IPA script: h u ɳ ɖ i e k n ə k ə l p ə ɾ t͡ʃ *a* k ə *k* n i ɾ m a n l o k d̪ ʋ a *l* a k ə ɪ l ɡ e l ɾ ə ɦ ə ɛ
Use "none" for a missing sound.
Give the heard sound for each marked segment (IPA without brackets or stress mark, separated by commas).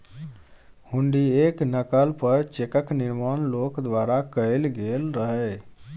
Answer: e, k, ɾ